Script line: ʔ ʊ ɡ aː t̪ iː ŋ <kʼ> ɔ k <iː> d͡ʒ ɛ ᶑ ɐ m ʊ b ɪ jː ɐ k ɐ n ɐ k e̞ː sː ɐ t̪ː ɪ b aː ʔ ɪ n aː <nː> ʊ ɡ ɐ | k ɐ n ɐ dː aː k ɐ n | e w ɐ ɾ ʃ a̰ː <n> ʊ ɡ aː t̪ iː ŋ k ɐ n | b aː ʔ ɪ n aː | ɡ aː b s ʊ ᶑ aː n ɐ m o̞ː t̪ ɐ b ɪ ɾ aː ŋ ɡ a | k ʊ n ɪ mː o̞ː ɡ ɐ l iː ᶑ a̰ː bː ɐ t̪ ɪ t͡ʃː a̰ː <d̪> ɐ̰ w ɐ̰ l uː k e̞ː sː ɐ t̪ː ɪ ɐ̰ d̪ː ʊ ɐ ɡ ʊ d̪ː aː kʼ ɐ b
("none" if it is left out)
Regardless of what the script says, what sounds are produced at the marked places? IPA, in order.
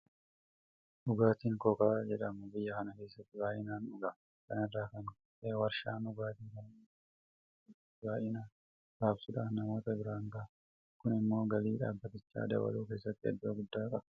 k, aː, n, n, d̪

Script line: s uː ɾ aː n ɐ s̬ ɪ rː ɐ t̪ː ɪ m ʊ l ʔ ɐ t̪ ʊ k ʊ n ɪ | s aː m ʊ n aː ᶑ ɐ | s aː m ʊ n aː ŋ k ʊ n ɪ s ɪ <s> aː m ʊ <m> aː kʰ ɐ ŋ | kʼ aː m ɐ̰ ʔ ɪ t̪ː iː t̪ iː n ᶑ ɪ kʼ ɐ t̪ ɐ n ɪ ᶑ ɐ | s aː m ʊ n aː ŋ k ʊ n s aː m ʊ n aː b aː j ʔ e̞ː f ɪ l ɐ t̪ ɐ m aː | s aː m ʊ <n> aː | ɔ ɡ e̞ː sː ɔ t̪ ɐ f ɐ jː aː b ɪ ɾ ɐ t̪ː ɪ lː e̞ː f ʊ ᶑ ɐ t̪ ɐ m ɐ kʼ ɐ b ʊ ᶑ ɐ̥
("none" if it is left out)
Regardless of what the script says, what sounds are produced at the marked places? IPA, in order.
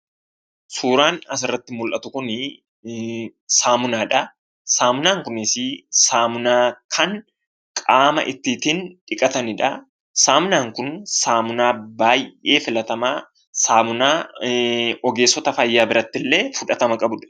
s, n, n

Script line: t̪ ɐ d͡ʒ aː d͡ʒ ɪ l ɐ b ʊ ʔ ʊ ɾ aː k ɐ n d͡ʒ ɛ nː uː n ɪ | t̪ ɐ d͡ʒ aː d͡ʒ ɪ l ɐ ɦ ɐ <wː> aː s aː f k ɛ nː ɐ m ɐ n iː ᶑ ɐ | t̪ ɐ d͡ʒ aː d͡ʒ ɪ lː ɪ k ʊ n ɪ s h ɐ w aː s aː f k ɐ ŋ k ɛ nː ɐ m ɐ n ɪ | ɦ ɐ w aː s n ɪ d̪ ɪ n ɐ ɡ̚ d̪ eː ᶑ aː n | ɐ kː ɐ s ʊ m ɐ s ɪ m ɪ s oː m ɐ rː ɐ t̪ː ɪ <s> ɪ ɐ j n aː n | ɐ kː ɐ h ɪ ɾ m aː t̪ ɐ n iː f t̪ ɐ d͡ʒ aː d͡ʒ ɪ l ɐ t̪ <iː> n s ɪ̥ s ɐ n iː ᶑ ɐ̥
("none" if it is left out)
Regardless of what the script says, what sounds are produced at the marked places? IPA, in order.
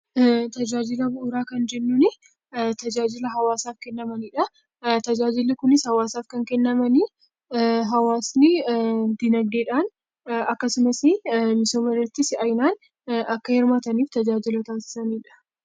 w, s, aː

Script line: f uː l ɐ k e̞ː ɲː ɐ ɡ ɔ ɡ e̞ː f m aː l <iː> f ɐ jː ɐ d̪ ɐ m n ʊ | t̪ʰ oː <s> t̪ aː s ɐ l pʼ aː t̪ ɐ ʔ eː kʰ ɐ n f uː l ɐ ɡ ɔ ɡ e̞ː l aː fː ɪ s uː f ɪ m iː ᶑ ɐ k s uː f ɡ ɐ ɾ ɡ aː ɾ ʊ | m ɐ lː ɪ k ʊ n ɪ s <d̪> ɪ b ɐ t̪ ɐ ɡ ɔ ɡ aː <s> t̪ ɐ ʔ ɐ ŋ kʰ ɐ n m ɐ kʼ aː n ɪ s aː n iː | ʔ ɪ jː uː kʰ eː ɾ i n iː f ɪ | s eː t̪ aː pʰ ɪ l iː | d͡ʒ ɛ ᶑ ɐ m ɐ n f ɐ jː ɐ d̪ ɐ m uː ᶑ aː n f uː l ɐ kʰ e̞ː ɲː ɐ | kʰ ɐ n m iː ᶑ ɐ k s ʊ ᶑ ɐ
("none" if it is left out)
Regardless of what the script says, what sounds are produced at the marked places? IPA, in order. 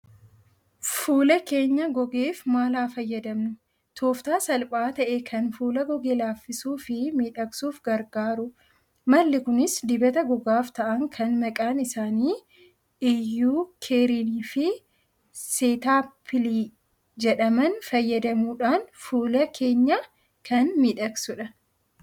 aː, f, d̪, f

